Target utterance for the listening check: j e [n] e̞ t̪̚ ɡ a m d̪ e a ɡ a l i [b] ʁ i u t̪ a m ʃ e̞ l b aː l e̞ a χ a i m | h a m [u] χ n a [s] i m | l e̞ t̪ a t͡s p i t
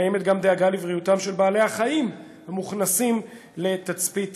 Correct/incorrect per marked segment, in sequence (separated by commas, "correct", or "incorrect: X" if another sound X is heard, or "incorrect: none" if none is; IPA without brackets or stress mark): incorrect: m, incorrect: v, correct, correct